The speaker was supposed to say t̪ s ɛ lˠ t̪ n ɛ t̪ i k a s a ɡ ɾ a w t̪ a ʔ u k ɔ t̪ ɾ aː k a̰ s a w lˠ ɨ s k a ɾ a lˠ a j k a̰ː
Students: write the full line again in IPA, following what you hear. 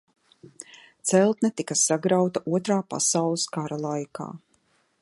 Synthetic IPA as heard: t̪ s ɛ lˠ t̪ n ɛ t̪ i k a s a ɡ ɾ a w t̪ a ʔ u ɔ t̪ ɾ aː p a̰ s a w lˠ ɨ s k a ɾ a lˠ a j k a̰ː